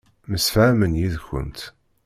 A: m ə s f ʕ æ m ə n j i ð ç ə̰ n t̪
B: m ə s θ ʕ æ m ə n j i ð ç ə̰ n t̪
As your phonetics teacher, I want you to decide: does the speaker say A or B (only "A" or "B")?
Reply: A